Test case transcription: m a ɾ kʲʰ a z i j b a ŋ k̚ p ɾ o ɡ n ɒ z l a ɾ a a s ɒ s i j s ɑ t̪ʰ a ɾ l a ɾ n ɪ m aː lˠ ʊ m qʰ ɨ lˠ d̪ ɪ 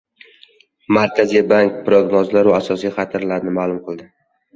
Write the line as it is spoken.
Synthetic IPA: m a ɾ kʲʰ a z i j b a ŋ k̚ p ɾ o ɡ n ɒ z l a ɾ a a s ɒ s i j χ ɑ t̪ʰ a ɾ l a ɾ n ɪ m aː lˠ ʊ m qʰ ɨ lˠ d̪ ɪ

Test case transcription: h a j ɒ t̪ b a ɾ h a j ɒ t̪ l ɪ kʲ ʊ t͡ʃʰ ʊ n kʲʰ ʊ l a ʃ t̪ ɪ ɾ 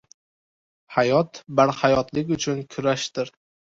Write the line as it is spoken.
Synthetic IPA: h a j ɒ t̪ b a ɾ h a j ɒ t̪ l ɪ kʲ ʊ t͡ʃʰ ʊ n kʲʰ ʊ ɾ a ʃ t̪ ɪ ɾ

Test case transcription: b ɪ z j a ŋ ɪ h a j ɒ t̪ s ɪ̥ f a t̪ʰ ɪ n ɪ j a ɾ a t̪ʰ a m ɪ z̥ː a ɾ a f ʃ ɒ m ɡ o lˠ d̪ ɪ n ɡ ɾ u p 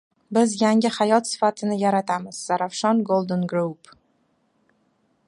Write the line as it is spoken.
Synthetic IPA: b ɪ z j a ŋ ɪ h a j ɒ t̪ s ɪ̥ f a t̪ʰ ɪ n ɪ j a ɾ a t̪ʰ a m ɪ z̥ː a ɾ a f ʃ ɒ n ɡ o lˠ d̪ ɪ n ɡ ɾ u p

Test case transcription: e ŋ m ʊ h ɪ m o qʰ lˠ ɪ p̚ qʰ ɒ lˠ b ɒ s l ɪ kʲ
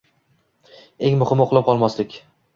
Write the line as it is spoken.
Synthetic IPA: e ŋ m ʊ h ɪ m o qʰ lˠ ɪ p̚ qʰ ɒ lˠ m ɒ s l ɪ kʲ

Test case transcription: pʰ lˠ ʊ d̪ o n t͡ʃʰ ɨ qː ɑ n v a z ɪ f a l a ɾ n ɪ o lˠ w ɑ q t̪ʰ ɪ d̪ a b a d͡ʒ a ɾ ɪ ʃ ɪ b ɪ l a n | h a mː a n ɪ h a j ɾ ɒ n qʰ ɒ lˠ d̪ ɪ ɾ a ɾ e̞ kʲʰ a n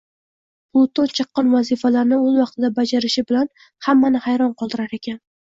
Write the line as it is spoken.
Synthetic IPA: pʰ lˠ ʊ t̪ o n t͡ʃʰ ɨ qː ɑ n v a z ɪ f a l a ɾ n ɪ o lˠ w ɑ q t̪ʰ ɪ d̪ a b a d͡ʒ a ɾ ɪ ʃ ɪ b ɪ l a n | h a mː a n ɪ h a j ɾ ɒ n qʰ ɒ lˠ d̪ ɪ ɾ a ɾ e̞ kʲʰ a n

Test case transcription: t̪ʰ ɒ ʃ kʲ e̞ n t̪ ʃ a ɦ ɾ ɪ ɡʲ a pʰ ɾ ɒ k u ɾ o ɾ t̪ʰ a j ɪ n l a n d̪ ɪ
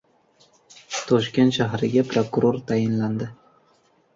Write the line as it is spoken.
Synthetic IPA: t̪ʰ ɒ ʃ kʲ e̞ n t̪ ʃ a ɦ ɾ ɪ ɡʲ a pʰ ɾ o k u ɾ o ɾ t̪ʰ a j ɪ n l a n d̪ ɪ

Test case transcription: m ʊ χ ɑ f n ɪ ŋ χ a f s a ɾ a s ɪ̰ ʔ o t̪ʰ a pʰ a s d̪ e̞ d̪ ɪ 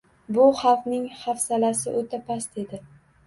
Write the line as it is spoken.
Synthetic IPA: b ʊ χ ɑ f n ɪ ŋ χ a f s a l a s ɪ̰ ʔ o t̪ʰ a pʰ a s t̪ e̞ d̪ ɪ

